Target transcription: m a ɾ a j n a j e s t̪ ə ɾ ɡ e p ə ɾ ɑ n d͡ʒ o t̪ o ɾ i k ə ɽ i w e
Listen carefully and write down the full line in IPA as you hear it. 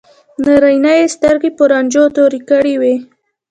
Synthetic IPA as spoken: n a ɾ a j n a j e s t̪ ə ɾ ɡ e p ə ɾ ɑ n d͡ʒ o t̪ o ɾ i k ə ɽ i w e